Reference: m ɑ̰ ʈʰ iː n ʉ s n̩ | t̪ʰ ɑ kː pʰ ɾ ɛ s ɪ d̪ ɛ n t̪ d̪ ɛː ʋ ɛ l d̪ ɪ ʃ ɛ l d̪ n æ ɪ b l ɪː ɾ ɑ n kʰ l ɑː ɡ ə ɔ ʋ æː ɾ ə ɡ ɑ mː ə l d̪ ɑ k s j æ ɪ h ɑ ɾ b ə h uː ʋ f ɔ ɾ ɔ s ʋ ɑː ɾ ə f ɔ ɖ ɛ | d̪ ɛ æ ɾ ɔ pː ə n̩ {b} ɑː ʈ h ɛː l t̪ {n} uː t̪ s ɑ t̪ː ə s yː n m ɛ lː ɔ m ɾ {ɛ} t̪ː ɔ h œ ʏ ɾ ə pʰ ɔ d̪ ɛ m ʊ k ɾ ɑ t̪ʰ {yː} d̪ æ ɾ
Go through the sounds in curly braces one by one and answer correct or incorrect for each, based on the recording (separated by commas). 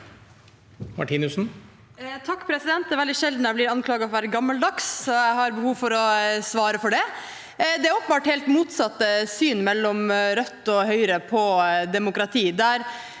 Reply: correct, incorrect, incorrect, incorrect